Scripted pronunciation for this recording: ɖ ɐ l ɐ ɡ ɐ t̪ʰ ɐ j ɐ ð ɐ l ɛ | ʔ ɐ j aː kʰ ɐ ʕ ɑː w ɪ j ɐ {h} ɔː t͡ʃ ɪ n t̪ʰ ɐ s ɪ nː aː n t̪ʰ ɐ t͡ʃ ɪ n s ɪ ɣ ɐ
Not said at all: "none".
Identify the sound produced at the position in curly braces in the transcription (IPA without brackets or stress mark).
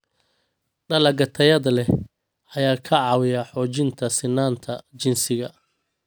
ħ